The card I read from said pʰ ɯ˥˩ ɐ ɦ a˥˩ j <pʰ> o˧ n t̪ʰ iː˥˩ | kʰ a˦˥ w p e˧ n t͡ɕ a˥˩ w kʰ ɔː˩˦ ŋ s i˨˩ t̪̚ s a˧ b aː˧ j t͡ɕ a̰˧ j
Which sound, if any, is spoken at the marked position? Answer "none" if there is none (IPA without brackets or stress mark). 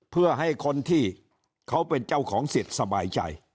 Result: kʰ